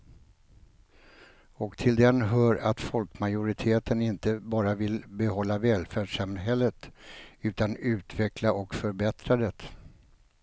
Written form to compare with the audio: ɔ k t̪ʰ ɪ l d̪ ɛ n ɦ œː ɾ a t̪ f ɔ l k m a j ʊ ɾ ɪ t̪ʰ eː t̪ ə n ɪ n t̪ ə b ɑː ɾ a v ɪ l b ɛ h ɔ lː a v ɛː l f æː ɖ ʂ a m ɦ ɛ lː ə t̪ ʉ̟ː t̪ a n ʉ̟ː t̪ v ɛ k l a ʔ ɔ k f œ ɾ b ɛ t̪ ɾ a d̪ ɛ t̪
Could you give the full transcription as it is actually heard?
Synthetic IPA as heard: ɔ k t̪ʰ ɪ l d̪ ɛ n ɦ œː ɾ a t̪ f ɔ l k m a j ʊ ɾ ɪ t̪ʰ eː t̪ ə n ɪ n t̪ ə b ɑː ɾ a v ɪ l b ɛ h ɔ lː a v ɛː l f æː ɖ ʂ a m ɦ ɛ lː ə t̪ ʉ̟ː t̪ a n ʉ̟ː t̪ v ɛ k l a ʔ ɔ k f œ ɾ b ɛ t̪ ɾ a d̪ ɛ t̪